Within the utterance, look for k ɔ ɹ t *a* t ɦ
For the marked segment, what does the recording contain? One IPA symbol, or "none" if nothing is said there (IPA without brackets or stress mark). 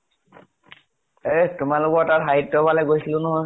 a